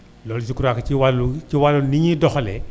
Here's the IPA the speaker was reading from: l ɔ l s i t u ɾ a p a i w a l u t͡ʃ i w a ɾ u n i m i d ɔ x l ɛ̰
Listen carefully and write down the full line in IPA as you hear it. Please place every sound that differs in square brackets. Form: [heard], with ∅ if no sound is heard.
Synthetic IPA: l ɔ l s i [k] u ɾ a [k] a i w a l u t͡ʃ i w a [l] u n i [ɲ] i d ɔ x l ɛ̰